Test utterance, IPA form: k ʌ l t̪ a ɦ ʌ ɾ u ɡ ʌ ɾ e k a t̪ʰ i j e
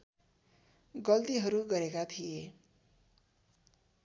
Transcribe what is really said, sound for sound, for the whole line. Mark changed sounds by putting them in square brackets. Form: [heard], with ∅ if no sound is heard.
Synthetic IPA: [ɡ] ʌ l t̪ [i] ɦ ʌ ɾ u ɡ ʌ ɾ e k a t̪ʰ i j e